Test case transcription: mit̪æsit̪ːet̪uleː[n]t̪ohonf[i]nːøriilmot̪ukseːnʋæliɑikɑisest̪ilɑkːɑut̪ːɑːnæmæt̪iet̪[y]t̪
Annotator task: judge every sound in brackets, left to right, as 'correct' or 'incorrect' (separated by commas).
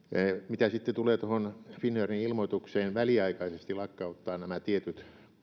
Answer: incorrect, correct, correct